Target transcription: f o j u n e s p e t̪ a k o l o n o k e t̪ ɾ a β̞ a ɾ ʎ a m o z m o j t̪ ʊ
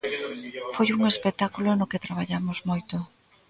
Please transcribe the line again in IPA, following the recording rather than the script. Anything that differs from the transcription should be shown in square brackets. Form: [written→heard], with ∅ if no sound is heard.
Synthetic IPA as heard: f o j u [n→ŋ] e s p e t̪ a k [o→u] l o n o k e t̪ ɾ a β̞ a [ɾ→∅] ʎ a m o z m o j t̪ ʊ